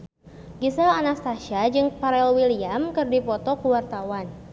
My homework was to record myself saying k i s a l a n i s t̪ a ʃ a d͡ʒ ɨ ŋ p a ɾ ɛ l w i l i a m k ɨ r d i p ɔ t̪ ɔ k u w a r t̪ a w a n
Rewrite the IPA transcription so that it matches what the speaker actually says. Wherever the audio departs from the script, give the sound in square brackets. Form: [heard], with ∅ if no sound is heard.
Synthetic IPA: [ɡ] i s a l a n [a] s t̪ a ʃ a d͡ʒ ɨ ŋ p a ɾ ɛ l w i l i a m k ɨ r d i p ɔ t̪ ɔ k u w a r t̪ a w a n